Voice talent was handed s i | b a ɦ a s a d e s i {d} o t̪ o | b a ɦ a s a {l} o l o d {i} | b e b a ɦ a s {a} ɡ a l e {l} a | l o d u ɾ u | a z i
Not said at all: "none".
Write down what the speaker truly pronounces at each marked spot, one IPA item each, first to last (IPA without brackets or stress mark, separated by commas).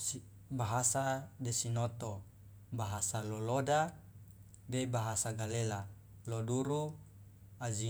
n, l, a, a, l